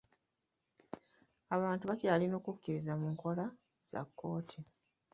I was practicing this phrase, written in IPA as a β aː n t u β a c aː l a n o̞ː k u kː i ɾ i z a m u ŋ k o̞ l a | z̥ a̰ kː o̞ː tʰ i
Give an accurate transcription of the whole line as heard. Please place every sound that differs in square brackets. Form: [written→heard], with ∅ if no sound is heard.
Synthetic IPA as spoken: a β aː n t u β a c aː l [a→i] n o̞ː k u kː i ɾ i z a m u ŋ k o̞ l a | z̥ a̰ kː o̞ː tʰ i